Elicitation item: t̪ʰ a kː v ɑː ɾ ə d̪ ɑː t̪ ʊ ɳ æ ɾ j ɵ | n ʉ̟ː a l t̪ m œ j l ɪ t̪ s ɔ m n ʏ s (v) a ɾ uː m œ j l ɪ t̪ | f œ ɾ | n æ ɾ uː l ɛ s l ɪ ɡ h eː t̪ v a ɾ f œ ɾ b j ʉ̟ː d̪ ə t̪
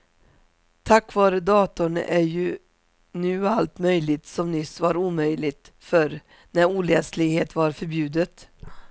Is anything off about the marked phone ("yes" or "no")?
no